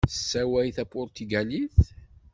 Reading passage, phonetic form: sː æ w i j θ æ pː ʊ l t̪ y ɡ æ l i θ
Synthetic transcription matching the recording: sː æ w æ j θ æ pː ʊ ɾ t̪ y ɡ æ l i θ